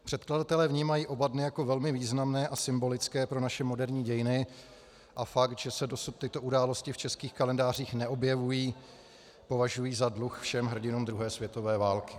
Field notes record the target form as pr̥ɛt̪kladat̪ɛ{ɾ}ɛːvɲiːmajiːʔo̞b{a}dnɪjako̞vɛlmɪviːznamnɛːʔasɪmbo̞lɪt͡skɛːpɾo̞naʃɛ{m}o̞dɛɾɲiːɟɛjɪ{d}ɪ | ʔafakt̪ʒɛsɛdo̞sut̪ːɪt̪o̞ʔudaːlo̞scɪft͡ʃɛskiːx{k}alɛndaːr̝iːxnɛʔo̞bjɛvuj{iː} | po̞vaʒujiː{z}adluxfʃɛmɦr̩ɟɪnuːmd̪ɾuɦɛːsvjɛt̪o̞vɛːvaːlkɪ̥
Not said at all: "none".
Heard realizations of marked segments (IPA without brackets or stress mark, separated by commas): l, a, m, n, k, iː, z